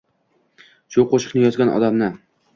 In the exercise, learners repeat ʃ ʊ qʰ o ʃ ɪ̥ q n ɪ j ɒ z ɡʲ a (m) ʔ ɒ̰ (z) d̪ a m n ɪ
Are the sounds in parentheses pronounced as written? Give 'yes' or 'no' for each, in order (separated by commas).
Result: no, no